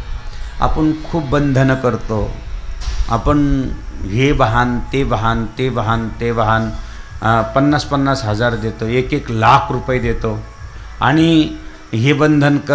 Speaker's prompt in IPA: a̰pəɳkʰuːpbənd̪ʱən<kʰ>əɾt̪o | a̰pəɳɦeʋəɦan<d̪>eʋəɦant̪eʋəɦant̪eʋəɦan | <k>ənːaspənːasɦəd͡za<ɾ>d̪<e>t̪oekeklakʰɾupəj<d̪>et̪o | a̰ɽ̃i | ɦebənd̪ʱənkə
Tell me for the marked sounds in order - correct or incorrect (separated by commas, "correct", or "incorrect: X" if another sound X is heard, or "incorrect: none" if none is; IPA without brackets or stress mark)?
incorrect: k, incorrect: t̪, incorrect: p, correct, correct, correct